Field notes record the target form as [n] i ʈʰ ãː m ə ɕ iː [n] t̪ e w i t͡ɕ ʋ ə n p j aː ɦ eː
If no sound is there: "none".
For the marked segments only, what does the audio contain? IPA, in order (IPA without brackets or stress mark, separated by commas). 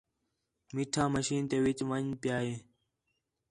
m, n